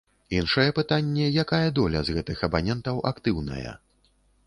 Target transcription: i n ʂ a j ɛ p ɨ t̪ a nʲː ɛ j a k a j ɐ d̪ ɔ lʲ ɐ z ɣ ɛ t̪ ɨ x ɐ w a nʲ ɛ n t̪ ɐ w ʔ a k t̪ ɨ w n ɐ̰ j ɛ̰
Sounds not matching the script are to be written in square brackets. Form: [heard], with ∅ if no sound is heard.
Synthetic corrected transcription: i n ʂ [ɐ] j ɛ p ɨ t̪ a nʲː ɛ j a k a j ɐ d̪ ɔ lʲ ɐ z ɣ ɛ t̪ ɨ x ɐ [b] a nʲ ɛ n t̪ ɐ w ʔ a k t̪ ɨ w n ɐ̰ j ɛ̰